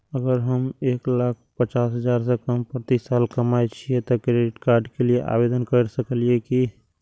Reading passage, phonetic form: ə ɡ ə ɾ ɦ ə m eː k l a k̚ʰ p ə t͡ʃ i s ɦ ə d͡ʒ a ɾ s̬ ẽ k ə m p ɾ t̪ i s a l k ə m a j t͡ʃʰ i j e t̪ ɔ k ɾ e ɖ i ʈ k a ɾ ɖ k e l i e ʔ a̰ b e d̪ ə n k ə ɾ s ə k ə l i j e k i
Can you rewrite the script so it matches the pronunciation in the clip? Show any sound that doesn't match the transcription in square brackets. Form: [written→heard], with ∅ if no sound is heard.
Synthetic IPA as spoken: ə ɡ ə ɾ ɦ ə m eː k l a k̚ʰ p ə t͡ʃ [i→a] s ɦ ə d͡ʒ a ɾ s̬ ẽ k ə m p ɾ t̪ i s a l k ə m a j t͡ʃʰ i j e t̪ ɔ k ɾ e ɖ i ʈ k a ɾ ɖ k e l i e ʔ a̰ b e d̪ ə n k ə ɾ s ə k ə l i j e k i